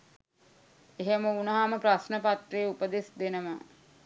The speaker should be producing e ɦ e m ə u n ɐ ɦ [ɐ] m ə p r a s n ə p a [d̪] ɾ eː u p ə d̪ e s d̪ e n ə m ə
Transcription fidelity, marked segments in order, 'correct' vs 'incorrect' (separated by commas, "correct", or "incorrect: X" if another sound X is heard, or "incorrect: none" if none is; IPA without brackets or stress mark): incorrect: a, incorrect: t̪